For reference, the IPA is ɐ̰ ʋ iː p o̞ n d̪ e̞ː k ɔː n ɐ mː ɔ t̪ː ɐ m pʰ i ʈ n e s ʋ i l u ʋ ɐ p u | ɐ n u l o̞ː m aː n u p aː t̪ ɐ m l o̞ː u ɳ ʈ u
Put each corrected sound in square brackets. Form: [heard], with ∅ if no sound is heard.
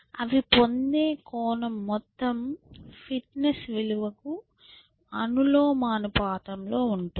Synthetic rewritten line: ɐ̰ ʋ [i] p o̞ n d̪ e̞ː k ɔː n ɐ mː ɔ t̪ː ɐ m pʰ i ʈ n e s ʋ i l u ʋ ɐ [k] u | ɐ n u l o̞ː m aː n u p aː t̪ ɐ m l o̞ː u ɳ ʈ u